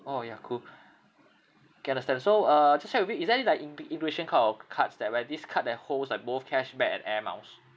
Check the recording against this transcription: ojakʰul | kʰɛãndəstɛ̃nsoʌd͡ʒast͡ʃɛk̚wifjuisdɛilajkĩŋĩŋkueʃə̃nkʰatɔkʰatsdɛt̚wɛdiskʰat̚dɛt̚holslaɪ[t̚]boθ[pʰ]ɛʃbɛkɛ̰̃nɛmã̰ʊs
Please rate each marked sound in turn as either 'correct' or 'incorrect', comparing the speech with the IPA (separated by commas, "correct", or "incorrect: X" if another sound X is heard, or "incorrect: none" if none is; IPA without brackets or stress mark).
incorrect: k̚, incorrect: kʰ